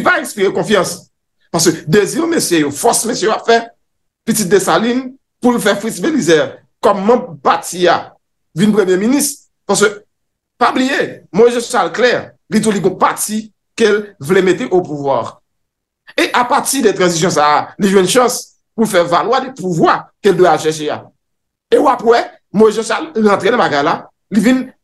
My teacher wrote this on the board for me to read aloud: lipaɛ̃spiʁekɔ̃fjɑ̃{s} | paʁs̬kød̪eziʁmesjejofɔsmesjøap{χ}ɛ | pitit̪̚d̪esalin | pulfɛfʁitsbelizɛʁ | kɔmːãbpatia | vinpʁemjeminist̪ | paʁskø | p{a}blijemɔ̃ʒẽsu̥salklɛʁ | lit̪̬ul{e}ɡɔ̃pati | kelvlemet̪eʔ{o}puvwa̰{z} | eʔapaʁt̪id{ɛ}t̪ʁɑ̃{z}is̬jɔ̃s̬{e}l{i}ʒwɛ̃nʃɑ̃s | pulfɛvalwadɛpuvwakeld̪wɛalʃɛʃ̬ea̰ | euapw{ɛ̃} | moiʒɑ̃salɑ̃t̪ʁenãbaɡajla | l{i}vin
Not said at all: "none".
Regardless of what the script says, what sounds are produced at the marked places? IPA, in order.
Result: s, f, a, i, o, ʁ, ɛ, z, a, i, ɛ, i

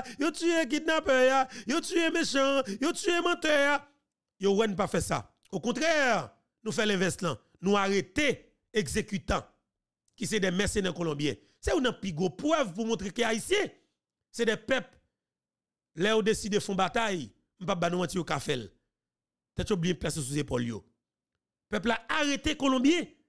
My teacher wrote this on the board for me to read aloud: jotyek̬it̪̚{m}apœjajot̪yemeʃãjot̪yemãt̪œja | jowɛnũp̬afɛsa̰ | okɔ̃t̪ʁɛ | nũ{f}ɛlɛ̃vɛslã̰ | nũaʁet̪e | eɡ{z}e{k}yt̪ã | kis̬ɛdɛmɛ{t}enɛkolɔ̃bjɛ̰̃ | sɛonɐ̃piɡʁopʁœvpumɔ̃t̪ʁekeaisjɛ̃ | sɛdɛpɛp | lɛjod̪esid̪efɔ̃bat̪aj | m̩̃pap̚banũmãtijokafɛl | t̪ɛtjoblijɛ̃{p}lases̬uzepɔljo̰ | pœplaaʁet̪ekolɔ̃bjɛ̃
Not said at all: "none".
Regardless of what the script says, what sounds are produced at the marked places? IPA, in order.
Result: n, f, z, k, s, p

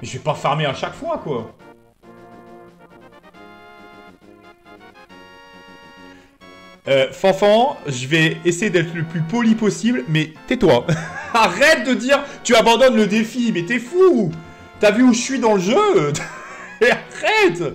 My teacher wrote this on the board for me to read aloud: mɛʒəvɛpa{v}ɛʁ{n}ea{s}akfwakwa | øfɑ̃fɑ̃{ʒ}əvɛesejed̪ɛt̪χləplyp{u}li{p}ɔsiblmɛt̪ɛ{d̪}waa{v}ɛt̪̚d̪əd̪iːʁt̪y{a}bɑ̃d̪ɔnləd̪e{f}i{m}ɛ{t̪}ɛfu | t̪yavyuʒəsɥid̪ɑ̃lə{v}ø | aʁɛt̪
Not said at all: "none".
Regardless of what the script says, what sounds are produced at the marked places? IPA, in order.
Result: f, m, ʃ, ʒ, ɔ, p, t̪, ʁ, a, f, m, t̪, ʒ

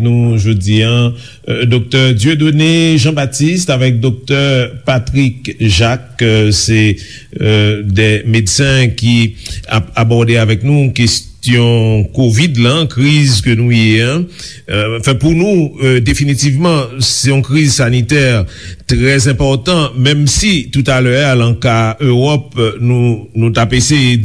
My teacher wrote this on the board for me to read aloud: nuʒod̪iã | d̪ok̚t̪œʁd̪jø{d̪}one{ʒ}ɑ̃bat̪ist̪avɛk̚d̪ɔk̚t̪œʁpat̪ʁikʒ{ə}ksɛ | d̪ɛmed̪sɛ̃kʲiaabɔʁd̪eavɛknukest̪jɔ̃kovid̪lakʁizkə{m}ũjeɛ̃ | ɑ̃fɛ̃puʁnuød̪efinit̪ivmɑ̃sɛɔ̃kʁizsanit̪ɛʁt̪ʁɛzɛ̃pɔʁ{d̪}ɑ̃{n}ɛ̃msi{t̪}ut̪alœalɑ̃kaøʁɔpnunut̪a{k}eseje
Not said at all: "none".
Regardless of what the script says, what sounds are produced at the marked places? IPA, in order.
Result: d̪, ʒ, a, n, t̪, m, t̪, p

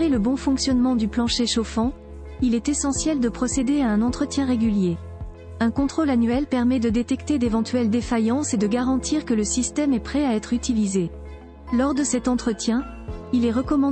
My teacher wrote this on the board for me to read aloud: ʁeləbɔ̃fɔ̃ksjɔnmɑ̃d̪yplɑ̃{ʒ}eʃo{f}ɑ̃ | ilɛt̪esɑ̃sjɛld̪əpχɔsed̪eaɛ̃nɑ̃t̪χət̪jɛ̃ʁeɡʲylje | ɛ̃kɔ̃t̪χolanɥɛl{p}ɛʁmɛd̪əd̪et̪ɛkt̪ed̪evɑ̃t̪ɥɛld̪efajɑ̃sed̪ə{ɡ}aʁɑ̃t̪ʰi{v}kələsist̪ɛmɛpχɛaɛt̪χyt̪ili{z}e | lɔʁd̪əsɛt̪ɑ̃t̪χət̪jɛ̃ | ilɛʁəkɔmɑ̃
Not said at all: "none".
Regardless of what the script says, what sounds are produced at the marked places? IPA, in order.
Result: ʃ, f, p, ɡ, ʁ, z

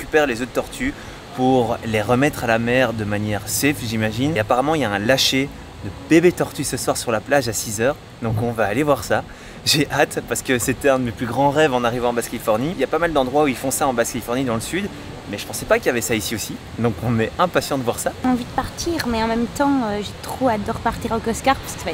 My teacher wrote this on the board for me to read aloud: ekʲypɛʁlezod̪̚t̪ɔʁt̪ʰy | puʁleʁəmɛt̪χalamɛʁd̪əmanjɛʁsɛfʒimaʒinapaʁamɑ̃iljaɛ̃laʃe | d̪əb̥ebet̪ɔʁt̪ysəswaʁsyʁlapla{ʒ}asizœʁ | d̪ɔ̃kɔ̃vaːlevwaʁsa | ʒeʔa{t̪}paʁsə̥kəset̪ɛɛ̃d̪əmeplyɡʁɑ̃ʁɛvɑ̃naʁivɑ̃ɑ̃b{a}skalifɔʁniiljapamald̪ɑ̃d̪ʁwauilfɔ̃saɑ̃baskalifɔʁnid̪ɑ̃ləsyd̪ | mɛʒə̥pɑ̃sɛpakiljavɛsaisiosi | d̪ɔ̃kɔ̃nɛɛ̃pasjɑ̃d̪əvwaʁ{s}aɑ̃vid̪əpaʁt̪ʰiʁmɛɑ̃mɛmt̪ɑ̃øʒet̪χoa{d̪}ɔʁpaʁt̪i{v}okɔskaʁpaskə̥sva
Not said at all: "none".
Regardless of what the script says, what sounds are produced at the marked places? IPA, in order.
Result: ʒ, t̪, a, s, d̪, ʁ

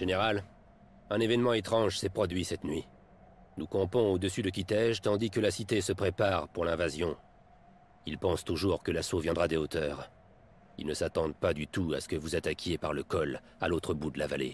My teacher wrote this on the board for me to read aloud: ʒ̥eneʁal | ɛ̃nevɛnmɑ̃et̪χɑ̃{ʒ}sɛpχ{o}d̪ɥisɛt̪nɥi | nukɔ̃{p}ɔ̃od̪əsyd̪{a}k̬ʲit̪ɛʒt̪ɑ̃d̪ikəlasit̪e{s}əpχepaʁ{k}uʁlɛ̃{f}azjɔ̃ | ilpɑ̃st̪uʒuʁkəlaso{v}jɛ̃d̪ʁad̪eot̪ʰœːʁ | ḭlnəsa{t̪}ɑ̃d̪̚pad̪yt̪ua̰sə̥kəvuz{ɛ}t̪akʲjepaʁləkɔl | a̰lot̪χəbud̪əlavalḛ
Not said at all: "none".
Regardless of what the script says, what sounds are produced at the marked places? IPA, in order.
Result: ʒ, ɔ, p, ə, s, p, v, v, t̪, a

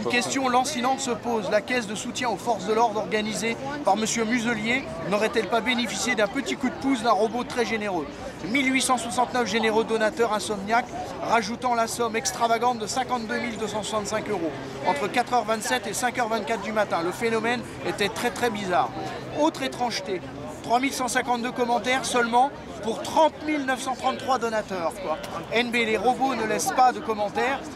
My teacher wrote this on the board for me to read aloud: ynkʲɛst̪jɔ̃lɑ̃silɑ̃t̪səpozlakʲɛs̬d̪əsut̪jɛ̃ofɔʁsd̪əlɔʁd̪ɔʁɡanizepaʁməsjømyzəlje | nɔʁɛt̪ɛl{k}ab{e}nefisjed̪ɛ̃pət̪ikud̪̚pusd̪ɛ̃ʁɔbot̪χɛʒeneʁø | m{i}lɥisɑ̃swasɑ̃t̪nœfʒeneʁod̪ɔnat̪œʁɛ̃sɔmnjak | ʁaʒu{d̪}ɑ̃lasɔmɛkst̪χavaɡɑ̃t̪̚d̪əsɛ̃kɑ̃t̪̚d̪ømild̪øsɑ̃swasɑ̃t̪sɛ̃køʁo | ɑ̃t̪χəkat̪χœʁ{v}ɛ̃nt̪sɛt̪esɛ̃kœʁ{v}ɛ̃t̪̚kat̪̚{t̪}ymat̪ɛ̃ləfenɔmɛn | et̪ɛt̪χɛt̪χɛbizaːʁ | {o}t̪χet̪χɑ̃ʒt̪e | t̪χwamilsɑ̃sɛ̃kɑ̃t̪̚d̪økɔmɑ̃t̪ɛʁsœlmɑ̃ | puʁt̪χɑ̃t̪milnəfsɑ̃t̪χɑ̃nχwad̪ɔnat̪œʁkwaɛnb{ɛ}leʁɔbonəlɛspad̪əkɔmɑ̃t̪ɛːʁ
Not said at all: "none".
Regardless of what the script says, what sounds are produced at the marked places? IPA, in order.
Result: p, e, i, t̪, v, v, d̪, o, e

